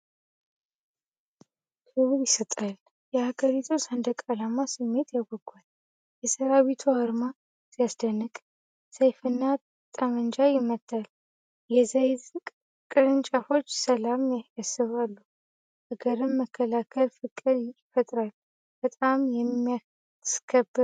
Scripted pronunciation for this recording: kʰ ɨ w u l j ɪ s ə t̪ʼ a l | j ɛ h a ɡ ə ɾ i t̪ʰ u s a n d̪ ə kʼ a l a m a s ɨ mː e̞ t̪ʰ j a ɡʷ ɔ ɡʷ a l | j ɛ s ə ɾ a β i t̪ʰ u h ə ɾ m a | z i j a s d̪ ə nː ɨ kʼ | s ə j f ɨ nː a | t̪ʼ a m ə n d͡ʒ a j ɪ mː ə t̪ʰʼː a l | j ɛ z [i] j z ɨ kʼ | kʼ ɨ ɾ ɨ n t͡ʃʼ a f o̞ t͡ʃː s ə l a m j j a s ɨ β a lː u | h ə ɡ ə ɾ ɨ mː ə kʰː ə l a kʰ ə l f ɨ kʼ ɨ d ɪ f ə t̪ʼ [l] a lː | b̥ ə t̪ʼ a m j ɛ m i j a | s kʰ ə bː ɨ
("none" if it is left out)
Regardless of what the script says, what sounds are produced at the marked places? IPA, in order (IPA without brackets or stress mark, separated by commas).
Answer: a, ɾ